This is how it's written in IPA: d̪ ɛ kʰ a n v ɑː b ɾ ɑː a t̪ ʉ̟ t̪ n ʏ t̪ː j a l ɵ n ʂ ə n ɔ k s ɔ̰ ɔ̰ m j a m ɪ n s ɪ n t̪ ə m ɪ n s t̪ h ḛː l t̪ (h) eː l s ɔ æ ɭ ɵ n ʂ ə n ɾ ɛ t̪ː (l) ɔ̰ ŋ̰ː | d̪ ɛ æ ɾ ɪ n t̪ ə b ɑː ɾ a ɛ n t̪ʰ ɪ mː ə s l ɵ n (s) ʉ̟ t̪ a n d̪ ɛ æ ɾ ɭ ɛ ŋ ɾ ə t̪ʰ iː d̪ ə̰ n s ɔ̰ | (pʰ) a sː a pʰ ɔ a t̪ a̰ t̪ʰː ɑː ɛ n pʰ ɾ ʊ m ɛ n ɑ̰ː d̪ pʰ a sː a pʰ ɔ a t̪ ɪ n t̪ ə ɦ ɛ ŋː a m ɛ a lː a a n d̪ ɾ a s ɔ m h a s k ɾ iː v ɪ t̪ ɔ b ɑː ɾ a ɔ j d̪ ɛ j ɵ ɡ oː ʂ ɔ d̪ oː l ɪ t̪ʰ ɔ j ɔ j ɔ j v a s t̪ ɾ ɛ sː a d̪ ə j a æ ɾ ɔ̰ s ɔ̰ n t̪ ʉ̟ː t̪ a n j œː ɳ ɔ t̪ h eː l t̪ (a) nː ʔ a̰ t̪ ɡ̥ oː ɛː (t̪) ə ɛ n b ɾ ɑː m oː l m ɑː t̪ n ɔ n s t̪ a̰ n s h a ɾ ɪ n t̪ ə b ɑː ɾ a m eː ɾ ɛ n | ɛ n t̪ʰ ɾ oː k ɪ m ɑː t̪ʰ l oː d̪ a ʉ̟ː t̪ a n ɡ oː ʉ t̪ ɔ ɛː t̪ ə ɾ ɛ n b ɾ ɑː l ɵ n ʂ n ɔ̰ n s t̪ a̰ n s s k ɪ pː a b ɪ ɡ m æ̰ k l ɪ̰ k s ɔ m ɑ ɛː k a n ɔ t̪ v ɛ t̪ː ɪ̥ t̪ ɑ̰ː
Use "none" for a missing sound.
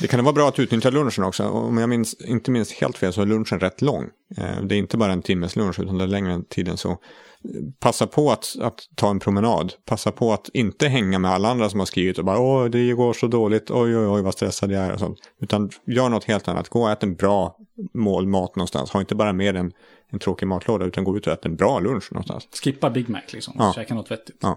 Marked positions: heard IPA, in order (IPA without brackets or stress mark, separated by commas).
f, l, ʂ, pʰ, a, t̪